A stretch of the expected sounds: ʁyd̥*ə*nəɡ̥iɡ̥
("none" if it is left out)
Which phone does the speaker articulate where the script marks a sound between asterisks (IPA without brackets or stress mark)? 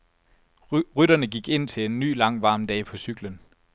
ɐ